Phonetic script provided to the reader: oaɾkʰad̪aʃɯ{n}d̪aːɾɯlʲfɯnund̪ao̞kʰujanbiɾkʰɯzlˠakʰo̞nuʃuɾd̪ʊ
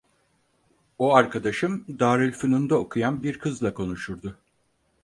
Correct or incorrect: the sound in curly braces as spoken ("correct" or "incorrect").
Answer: incorrect